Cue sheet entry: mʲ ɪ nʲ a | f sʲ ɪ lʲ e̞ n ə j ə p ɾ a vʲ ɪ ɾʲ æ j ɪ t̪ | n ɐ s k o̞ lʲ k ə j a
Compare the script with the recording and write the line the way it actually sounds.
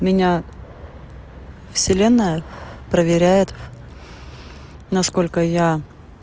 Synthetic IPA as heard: mʲ ɪ nʲ a | f sʲ ɪ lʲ e̞ nː ə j ə p ɾ ə vʲ ɪ ɾʲ æ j ɪ t̪ | n ɐ s k o̞ lʲ k ə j a